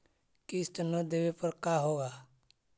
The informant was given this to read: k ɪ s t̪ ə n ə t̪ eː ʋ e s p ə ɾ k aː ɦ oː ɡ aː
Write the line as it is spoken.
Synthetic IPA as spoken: k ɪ s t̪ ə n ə d̪ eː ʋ e p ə ɾ k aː ɦ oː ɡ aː